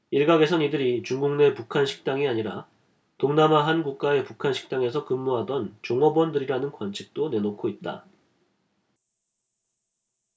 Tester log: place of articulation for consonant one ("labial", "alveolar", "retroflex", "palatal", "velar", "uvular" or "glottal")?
retroflex